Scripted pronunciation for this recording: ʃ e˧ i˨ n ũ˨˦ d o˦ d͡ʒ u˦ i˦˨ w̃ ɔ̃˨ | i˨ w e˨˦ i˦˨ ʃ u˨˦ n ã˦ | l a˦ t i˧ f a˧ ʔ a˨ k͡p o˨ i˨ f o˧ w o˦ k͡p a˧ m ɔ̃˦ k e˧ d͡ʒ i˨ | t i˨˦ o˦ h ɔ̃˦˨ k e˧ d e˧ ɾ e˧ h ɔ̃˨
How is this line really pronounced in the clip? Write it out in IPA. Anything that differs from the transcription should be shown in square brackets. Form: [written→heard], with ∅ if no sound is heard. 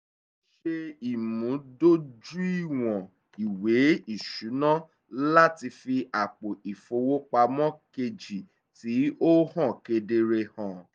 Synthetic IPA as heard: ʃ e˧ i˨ [n→m] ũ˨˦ d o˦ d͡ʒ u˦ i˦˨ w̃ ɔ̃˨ | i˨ w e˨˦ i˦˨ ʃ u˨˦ n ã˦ | l a˦ t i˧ f [a˧→i˧] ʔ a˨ k͡p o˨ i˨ f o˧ w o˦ k͡p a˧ m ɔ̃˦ k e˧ d͡ʒ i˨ | t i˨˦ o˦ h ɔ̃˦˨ k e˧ d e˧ ɾ e˧ h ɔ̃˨